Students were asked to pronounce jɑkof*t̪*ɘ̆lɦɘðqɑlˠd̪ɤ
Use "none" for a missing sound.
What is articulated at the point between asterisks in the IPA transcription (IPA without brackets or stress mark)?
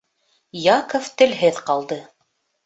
t̪